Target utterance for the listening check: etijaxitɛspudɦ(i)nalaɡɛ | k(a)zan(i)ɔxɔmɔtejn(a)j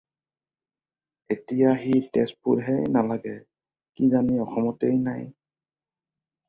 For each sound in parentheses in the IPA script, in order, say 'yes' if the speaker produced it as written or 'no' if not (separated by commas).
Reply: no, no, yes, yes